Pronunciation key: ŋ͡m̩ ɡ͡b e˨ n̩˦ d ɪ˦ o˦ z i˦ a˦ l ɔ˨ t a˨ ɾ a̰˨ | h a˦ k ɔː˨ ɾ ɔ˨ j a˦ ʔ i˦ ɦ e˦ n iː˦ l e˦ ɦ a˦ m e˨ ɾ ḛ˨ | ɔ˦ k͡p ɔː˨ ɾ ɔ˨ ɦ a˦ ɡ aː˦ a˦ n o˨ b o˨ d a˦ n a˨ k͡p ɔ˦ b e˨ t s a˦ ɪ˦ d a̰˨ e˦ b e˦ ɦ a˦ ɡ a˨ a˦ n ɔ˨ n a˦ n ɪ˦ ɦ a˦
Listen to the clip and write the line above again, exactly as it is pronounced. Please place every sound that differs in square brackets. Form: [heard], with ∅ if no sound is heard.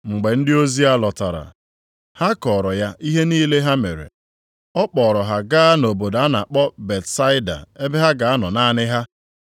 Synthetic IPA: ŋ͡m̩ ɡ͡b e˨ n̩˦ d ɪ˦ o˦ z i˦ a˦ l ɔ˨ t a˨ ɾ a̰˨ | h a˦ k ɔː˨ ɾ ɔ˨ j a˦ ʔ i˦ ɦ e˦ n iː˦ l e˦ ɦ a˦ m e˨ ɾ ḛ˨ | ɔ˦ k͡p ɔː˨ ɾ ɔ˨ ɦ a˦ ɡ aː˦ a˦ n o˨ b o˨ d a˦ n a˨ k͡p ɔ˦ b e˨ t s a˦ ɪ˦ d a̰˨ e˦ b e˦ ɦ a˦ ɡ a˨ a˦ n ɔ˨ n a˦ n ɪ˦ ɦ a˦